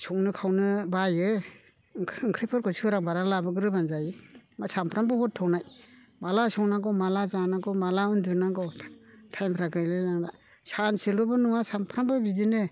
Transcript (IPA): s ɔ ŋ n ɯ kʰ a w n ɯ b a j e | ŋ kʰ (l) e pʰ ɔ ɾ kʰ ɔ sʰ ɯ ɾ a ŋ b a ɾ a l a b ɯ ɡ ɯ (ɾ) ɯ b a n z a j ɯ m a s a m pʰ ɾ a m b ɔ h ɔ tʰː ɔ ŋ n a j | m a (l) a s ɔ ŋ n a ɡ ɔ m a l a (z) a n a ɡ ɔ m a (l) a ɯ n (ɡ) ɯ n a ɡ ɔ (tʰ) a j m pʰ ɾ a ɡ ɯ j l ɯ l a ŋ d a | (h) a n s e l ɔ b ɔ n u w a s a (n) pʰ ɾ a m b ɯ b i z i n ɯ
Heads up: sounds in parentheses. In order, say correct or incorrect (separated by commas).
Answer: incorrect, correct, correct, correct, correct, incorrect, correct, incorrect, incorrect